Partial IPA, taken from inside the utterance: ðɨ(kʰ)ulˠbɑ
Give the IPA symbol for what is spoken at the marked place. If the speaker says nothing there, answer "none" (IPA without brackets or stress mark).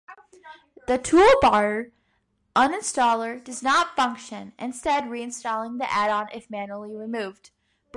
tʰ